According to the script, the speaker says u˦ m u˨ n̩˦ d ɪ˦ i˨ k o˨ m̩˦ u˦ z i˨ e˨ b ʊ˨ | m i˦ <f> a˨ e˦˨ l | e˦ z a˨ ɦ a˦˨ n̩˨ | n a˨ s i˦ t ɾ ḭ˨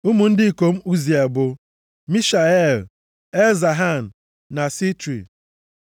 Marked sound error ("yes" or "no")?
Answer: yes